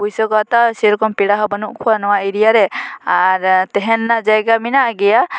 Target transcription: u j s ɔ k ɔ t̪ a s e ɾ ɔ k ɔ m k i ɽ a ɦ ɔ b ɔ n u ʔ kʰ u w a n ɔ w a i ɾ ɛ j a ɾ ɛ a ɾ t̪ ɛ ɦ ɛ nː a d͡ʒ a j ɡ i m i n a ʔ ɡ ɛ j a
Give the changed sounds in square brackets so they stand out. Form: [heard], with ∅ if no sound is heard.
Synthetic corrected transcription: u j s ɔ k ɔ t̪ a s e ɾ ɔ k ɔ m [p] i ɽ a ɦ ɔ b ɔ n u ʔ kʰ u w a n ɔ w a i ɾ [i] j a ɾ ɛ a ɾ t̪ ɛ ɦ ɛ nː a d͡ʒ a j ɡ [a] m i n a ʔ ɡ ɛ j a